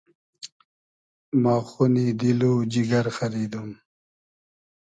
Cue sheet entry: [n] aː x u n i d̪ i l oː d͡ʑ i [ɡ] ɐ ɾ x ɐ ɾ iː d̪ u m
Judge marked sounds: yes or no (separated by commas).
no, yes